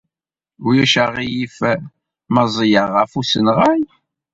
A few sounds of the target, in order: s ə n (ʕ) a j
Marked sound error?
yes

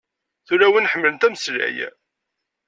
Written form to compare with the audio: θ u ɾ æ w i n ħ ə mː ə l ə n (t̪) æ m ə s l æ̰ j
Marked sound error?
no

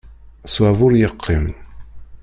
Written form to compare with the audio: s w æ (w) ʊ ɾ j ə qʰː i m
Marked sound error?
yes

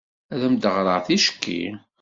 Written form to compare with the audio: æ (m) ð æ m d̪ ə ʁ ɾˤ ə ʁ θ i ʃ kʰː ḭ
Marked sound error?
yes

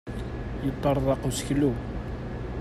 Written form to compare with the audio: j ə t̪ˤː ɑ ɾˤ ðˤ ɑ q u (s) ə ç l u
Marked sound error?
no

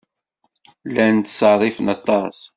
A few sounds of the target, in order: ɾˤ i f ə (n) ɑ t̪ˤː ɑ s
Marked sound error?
no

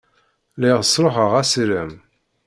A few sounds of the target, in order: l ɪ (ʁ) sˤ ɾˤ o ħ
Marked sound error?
no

